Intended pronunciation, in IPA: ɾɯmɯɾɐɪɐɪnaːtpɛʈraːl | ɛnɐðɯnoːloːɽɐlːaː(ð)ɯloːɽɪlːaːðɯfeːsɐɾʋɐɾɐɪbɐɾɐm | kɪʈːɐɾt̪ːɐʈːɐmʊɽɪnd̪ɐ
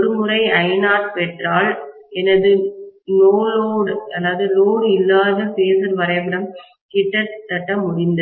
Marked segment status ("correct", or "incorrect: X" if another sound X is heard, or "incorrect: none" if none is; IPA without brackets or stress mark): correct